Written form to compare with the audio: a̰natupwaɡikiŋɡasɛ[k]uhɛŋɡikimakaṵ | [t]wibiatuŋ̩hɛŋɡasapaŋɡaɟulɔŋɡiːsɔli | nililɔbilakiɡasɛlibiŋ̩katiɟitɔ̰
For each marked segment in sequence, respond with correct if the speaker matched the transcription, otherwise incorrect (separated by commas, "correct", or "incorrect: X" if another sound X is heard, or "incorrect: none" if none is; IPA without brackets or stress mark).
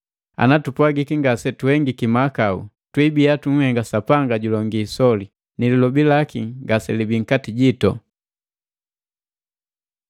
incorrect: t, correct